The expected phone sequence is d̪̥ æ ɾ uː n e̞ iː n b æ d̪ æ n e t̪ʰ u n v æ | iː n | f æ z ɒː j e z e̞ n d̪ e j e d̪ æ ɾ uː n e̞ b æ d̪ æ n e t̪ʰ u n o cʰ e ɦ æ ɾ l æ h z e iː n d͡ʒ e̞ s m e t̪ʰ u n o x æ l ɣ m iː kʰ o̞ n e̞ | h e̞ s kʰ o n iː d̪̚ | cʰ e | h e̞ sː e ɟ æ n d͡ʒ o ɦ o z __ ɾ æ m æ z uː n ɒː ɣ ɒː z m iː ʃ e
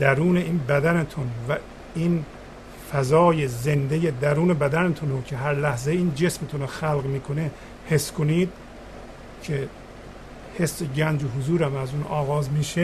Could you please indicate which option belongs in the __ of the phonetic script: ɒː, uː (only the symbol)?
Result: uː